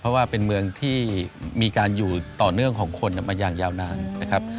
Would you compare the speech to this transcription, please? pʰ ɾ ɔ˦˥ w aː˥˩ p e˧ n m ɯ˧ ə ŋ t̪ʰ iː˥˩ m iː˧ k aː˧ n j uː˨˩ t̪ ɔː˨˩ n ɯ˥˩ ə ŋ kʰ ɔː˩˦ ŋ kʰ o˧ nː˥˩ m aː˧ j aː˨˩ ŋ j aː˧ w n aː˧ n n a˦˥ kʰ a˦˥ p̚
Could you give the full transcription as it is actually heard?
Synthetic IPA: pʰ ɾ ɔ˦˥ w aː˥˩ p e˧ n m ɯ˧ ə ŋ t̪ʰ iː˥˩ m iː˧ k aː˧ n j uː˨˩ t̪ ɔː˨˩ n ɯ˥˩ ə ŋ kʰ ɔː˩˦ ŋ kʰ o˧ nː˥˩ m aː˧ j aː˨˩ ŋ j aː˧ w n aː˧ n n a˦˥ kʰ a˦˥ p̚

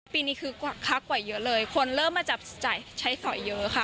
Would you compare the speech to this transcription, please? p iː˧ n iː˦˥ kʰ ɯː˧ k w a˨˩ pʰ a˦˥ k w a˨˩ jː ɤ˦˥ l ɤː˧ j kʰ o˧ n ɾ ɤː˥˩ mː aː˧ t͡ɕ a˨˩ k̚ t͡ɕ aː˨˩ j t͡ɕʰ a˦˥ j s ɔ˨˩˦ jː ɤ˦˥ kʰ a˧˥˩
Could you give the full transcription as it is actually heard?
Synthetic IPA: p iː˧ n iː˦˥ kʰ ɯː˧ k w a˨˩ kʰ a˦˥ k w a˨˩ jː ɤ˦˥ l ɤː˧ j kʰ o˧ n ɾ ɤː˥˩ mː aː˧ t͡ɕ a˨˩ p̚ t͡ɕ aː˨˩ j t͡ɕʰ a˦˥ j s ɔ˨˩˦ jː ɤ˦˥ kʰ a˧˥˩

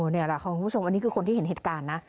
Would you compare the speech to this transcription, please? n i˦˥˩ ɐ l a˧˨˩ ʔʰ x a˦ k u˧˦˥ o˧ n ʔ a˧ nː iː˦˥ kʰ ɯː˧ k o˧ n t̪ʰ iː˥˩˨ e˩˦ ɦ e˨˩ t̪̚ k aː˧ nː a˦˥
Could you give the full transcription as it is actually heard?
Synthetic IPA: n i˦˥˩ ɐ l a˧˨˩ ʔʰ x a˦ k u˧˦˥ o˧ m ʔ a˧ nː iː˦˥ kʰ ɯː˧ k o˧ n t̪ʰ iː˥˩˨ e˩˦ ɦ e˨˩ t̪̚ k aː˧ nː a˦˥

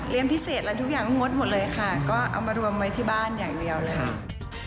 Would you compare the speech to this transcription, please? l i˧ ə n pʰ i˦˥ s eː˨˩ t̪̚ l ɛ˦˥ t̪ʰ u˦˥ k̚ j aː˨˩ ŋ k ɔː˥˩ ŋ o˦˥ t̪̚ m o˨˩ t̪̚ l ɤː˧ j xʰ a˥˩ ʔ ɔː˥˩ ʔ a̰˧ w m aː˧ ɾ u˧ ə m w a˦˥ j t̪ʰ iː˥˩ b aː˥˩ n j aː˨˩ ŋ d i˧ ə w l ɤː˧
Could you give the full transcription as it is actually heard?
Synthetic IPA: l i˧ ə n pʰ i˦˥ s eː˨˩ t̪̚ l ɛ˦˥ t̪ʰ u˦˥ k̚ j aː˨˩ ŋ k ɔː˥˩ ŋ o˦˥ t̪̚ m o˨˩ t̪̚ l ɤː˧ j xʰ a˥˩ k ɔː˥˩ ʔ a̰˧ w m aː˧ ɾ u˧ ə m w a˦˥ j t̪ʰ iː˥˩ b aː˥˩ n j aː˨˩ ŋ d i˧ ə w l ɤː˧

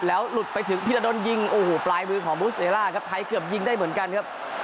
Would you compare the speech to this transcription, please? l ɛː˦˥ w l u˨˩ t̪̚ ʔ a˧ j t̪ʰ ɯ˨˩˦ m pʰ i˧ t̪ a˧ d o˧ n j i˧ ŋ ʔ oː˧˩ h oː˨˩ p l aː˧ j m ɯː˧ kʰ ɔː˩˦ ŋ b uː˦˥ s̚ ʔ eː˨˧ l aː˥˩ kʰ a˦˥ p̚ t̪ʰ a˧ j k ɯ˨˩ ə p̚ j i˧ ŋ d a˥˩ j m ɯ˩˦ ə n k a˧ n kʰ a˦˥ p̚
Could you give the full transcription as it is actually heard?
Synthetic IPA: l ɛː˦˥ w l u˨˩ t̪̚ p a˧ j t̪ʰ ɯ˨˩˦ ŋ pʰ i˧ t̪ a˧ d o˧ n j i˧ ŋ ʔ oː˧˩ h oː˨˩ p l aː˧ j m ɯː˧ kʰ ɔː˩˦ ŋ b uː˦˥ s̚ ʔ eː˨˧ l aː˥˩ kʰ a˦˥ p̚ t̪ʰ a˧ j k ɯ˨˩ ə p̚ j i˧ ŋ d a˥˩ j m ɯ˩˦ ə n k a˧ n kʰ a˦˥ p̚

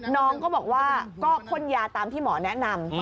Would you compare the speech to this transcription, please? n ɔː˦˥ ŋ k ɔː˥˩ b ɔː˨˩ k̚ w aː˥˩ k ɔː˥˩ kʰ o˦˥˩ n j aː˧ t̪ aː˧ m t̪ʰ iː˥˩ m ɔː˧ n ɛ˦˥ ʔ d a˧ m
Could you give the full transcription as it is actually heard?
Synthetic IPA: n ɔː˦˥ ŋ k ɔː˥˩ b ɔː˨˩ k̚ w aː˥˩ k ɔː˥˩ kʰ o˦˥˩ n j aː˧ t̪ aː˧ m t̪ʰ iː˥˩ m ɔː˩˦ n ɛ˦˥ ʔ n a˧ m

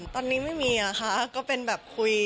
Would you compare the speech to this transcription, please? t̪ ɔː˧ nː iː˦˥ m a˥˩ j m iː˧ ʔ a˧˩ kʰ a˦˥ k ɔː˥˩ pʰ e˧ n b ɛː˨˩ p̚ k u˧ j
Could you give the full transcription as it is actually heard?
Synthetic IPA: t̪ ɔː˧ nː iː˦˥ m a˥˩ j m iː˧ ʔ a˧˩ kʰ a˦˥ k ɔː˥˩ p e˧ n b ɛː˨˩ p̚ kʰ u˧ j

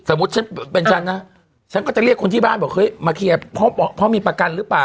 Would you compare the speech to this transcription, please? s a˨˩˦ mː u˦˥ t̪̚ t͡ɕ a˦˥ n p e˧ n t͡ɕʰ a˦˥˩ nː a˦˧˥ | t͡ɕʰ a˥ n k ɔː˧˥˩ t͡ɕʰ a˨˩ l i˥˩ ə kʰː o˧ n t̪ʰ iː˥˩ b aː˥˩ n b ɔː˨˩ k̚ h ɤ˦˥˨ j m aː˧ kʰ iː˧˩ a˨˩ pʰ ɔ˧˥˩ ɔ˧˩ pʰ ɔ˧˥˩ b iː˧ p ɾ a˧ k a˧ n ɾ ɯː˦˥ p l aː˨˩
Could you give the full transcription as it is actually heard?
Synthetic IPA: s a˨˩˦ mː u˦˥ t̪̚ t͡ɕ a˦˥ n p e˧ n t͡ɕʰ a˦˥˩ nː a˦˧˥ | t͡ɕʰ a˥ n k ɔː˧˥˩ t͡ɕ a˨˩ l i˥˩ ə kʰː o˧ n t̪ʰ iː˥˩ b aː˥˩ n b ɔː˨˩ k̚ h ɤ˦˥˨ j m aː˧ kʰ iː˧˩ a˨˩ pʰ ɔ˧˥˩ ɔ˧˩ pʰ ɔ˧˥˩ m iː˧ p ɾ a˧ k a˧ n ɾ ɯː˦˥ p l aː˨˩

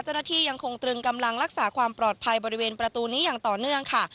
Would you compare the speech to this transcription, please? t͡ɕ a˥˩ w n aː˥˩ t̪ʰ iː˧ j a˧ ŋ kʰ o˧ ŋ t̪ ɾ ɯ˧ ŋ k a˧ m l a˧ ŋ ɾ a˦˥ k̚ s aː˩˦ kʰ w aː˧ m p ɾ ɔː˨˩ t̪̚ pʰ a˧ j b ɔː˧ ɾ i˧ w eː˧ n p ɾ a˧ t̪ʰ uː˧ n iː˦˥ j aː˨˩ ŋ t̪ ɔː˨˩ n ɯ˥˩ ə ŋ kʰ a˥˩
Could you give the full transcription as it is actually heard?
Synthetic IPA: t͡ɕ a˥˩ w n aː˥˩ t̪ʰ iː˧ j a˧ ŋ kʰ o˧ ŋ t̪ ɾ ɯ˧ ŋ k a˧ m l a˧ ŋ ɾ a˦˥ k̚ s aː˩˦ kʰ w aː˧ m p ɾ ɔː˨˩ t̪̚ pʰ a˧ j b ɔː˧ ɾ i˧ w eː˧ n p ɾ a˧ t̪ uː˧ n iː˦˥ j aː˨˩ ŋ t̪ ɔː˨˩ n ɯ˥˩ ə ŋ kʰ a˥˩

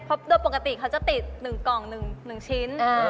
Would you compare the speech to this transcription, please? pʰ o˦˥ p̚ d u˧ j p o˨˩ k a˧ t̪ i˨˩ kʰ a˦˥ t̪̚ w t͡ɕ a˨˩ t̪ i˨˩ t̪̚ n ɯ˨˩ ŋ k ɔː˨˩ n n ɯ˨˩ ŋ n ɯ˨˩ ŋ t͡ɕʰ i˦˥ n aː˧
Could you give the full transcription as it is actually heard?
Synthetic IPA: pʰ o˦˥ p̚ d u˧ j p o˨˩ k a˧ t̪ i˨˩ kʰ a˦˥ w t͡ɕ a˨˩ t̪ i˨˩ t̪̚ n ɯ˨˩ ŋ k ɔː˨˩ ŋ n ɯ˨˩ ŋ n ɯ˨˩ ŋ t͡ɕʰ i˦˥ n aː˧

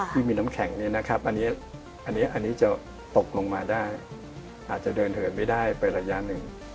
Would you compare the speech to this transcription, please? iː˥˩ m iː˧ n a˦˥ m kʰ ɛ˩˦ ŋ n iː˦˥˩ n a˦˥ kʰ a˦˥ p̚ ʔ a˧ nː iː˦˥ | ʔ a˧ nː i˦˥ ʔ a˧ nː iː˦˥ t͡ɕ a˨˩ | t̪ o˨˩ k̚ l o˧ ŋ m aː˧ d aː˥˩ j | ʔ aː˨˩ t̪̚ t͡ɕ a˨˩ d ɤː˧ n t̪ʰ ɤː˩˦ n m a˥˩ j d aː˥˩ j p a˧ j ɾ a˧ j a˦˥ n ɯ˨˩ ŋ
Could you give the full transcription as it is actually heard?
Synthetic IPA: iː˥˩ m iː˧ n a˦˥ m kʰ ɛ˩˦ ŋ n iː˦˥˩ n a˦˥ kʰ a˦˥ p̚ ʔ a˧ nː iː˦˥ | ʔ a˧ nː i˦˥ ʔ a˧ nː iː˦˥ t͡ɕ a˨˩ | t̪ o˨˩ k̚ l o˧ ŋ m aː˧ d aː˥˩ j | ʔ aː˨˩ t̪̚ t͡ɕ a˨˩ d ɤː˧ n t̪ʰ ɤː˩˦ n m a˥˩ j d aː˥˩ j p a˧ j ɾ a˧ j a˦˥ n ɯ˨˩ ŋ

